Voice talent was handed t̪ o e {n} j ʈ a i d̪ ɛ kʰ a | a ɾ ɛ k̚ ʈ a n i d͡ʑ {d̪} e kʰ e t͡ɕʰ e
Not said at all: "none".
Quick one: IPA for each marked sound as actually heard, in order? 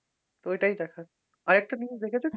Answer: none, d̪

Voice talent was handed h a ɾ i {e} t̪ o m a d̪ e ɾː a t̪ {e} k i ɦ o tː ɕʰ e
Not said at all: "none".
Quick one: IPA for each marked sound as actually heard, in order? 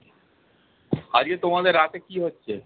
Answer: e, e

